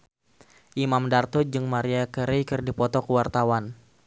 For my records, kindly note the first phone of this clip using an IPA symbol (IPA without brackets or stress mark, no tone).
ʔ